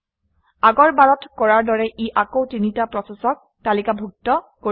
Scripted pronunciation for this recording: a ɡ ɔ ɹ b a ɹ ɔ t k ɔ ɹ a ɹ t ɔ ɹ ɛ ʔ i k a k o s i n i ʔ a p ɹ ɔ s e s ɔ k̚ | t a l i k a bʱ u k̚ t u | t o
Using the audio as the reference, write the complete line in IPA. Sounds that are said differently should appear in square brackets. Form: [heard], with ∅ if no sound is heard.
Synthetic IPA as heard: a ɡ ɔ ɹ b a ɹ ɔ t k ɔ ɹ a ɹ [d] ɔ ɹ ɛ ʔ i [ʔ] a k o [t] i n i [t] a p ɹ ɔ s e s ɔ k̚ | t a l i k a bʱ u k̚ t [ɔ] | [k] o